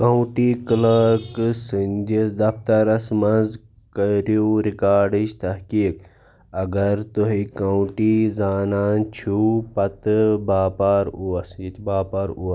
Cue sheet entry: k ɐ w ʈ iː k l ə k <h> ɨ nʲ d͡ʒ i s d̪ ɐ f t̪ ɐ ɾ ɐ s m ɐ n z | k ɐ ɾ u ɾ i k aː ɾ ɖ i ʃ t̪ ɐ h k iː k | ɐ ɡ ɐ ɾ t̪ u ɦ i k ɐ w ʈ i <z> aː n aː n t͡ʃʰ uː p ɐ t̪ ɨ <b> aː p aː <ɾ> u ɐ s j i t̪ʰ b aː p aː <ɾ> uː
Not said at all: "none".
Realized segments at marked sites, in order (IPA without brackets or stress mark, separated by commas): s, z, b, ɾ, ɾ